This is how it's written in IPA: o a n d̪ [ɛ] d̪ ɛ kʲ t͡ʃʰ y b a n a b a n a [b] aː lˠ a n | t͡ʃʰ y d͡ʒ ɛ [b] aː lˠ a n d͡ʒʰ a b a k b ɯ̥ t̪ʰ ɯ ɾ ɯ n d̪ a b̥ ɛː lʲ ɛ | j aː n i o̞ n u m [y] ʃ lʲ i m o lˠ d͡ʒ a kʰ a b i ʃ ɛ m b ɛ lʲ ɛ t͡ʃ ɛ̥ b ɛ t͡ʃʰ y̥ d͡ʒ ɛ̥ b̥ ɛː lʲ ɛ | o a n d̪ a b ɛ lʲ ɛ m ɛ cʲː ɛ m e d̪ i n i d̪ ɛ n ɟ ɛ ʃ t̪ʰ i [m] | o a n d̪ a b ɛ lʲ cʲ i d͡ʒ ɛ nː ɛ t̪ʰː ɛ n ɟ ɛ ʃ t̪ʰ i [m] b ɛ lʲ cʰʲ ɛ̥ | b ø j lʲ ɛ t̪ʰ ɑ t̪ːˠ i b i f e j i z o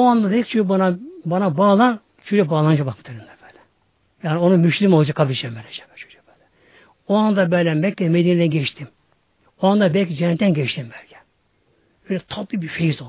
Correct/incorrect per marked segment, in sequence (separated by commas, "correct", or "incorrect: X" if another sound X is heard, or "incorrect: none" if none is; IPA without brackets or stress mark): incorrect: a, correct, correct, correct, correct, correct